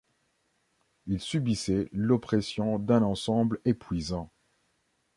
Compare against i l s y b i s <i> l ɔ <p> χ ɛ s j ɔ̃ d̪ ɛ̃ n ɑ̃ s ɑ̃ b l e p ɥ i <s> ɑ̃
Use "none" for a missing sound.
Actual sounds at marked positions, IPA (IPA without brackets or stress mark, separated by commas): ɛ, p, z